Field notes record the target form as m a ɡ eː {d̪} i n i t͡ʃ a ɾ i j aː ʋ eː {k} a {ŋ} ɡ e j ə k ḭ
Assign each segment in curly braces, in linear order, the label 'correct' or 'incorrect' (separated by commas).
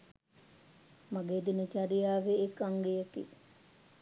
correct, correct, correct